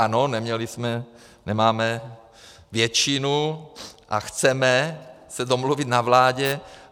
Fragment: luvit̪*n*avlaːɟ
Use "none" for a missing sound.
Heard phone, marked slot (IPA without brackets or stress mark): n